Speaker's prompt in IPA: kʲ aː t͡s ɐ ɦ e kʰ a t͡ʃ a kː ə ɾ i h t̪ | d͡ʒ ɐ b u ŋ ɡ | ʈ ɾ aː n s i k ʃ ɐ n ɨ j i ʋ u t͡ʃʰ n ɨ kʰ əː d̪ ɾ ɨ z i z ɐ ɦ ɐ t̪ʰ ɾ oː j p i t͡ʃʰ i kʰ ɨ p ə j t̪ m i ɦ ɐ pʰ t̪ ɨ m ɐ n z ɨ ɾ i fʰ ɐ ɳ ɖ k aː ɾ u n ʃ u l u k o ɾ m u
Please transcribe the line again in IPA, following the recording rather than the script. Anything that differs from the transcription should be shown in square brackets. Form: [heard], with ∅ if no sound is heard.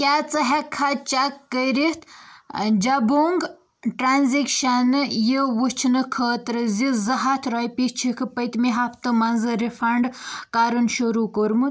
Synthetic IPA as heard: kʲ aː t͡s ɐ ɦ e kʰ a t͡ʃ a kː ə ɾ i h t̪ | d͡ʒ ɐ b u ŋ ɡ | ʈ ɾ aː n [z] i k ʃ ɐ n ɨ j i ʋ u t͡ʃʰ n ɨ kʰ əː [t̪] ɾ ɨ z i z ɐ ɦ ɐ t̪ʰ ɾ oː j p i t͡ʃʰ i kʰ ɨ p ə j t̪ m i ɦ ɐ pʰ t̪ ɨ m ɐ n z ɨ ɾ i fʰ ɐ ɳ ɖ k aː ɾ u n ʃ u [ɾ] u k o ɾ m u